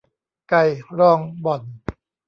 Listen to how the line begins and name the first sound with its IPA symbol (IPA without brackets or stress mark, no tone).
k